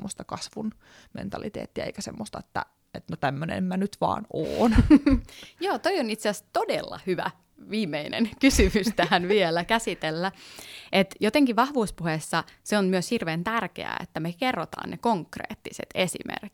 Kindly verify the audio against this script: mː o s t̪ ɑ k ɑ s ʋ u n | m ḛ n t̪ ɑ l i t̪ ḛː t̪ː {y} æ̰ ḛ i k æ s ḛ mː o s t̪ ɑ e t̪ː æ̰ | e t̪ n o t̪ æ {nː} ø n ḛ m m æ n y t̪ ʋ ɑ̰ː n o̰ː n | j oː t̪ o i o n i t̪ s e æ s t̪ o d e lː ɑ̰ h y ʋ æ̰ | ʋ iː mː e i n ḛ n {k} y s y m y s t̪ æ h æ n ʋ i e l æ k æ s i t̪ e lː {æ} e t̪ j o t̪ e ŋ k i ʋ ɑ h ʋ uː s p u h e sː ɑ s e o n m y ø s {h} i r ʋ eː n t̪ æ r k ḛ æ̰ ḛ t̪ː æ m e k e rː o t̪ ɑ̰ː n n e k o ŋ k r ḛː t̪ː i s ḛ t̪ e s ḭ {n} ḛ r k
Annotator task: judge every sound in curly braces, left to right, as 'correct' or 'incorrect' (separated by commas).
incorrect, incorrect, correct, correct, correct, incorrect